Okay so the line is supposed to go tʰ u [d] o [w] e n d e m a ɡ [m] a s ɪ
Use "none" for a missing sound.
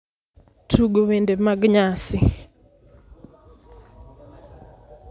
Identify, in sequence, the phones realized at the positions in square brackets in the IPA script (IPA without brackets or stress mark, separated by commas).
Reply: ɡ, w, ɲ